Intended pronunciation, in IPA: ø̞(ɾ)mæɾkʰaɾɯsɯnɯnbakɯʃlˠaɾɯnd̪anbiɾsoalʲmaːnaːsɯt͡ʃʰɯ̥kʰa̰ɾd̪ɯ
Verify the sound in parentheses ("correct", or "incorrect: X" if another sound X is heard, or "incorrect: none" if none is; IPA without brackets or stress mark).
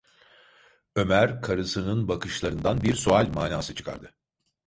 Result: incorrect: none